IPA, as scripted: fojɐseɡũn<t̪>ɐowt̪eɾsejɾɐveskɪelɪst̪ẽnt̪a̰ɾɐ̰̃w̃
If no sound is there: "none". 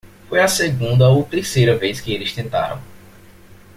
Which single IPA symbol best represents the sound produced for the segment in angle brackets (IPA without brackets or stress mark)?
d̪